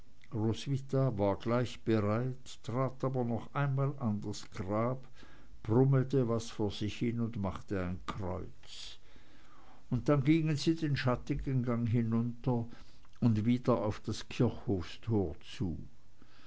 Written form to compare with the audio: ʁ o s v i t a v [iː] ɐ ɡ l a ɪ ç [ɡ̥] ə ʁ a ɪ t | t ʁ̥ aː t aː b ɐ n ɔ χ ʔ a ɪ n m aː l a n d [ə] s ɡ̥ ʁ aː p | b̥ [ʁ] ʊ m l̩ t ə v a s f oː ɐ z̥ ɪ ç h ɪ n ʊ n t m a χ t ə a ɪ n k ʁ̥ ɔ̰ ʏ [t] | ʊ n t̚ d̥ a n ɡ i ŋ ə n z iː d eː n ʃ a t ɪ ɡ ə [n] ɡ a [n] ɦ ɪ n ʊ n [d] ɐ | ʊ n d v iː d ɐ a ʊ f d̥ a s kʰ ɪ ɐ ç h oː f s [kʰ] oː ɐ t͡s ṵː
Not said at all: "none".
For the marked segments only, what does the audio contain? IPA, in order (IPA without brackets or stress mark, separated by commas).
aː, b̥, a, ʁ, t͡s, n, ŋ, t, tʰ